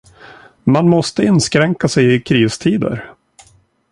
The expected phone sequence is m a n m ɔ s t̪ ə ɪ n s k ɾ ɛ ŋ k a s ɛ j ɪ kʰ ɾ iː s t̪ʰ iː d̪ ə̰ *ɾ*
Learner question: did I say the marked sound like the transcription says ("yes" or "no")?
yes